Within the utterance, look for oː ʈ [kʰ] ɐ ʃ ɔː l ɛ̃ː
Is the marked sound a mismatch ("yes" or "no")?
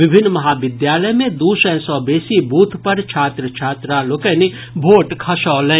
no